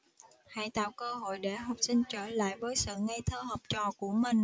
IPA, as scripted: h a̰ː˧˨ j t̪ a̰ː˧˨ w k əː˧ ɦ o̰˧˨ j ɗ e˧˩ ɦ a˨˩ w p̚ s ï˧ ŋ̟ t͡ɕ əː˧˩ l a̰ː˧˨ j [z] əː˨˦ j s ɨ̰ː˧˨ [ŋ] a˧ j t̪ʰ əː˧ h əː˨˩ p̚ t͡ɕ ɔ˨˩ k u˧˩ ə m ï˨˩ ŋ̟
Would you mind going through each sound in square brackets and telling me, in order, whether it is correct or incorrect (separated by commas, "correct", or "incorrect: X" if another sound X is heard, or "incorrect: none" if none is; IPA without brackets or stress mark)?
incorrect: v, correct